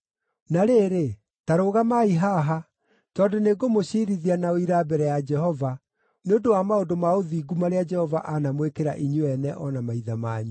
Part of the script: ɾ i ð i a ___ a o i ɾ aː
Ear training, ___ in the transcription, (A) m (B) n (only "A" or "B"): B